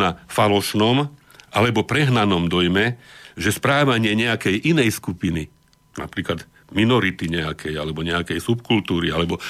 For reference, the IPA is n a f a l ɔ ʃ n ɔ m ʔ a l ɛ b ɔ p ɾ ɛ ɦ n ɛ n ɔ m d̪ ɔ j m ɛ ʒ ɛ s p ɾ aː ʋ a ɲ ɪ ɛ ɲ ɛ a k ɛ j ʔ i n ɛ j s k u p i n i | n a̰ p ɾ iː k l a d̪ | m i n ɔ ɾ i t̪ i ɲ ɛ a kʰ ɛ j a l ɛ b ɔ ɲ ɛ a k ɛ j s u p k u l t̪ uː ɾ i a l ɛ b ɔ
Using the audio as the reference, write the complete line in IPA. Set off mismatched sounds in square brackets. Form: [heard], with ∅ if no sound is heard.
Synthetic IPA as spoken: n a f a l ɔ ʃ n ɔ m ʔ a l ɛ b ɔ p ɾ ɛ ɦ n [a] n ɔ m d̪ ɔ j m ɛ ʒ ɛ s p ɾ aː ʋ a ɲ ɪ ɛ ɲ ɛ a k ɛ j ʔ i n ɛ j s k u p i n i | n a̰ p ɾ iː k l a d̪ | m i n ɔ ɾ i t̪ i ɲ ɛ a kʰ ɛ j a l ɛ b ɔ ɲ ɛ a k ɛ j s u p k u l t̪ uː ɾ i a l ɛ b ɔ